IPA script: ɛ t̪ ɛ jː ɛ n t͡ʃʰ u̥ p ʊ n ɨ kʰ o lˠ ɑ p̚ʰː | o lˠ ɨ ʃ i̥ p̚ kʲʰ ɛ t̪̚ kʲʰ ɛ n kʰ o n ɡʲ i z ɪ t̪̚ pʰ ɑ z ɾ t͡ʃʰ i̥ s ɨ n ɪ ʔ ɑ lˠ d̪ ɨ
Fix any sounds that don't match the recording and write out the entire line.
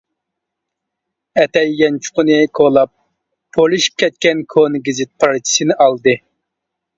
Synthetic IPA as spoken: ɛ t̪ ɛ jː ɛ n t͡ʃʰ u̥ q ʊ n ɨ kʰ o lˠ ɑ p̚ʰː | o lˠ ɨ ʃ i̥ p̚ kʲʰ ɛ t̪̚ kʲ ɛ n kʰ o n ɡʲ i z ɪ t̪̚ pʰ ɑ ɾ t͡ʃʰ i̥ s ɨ n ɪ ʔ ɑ lˠ d̪ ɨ